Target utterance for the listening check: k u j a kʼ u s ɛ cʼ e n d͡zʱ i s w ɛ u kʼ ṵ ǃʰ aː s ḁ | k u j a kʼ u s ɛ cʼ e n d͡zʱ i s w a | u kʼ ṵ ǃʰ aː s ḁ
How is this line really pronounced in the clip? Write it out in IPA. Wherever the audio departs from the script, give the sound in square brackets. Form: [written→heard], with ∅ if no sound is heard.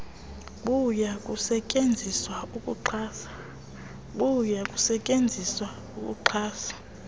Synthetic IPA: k u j a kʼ u s ɛ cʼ e n d͡zʱ i s w [ɛ→a] u kʼ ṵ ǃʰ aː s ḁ | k u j a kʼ u s ɛ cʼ e n d͡zʱ i s w a | u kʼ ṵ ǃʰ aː s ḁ